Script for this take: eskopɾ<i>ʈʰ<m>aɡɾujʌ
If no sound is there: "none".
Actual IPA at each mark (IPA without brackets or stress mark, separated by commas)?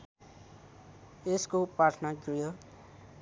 a, n